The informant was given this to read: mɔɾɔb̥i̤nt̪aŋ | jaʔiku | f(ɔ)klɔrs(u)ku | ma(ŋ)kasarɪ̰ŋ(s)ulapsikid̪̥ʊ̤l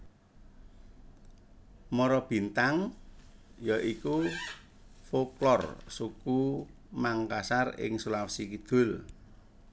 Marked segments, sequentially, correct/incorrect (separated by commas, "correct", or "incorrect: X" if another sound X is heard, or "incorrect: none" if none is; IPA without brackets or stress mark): incorrect: o, correct, correct, correct